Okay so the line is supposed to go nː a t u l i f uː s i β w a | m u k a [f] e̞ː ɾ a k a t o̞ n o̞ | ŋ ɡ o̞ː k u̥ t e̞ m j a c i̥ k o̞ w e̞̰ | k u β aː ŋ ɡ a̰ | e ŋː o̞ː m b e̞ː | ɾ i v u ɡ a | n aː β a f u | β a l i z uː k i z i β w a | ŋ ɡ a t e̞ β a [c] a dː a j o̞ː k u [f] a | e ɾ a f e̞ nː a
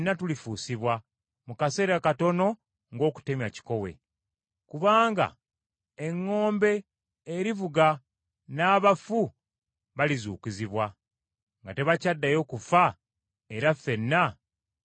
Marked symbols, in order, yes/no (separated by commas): no, yes, yes